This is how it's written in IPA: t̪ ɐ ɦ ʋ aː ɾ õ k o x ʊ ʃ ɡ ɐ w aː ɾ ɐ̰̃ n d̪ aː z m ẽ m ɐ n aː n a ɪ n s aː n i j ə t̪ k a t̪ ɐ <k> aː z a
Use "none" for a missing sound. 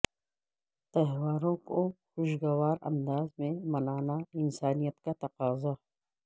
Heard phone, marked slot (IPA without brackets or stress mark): q